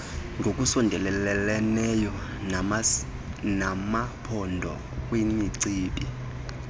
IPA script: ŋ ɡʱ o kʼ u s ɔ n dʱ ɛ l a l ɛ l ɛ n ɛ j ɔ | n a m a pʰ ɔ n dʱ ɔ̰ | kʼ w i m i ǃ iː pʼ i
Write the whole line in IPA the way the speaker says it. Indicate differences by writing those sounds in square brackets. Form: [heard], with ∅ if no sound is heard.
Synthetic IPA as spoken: ŋ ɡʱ o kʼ u s ɔ n dʱ ɛ l [ɛ] l ɛ l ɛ n ɛ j ɔ | n a m a pʰ ɔ n dʱ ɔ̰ | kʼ w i m i [ǀ] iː pʼ i